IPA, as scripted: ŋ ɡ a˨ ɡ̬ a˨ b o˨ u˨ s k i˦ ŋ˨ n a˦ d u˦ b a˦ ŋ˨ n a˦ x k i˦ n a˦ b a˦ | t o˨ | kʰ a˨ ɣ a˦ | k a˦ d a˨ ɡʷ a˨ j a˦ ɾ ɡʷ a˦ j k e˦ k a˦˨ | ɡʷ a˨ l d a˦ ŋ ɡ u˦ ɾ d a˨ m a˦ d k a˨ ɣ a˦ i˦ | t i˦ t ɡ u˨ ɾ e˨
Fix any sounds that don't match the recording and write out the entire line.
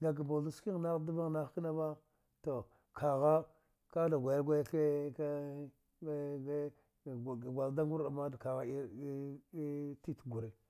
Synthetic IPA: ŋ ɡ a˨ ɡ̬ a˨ b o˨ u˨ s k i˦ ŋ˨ n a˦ d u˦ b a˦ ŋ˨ n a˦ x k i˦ n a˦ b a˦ | t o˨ | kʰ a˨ ɣ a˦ | k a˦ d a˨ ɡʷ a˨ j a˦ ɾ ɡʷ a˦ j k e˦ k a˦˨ | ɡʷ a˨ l d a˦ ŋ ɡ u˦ ɾ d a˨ m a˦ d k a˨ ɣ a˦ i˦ | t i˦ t ɡ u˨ ɾ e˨